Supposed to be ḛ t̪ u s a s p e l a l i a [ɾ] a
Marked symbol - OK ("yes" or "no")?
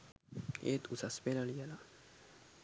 no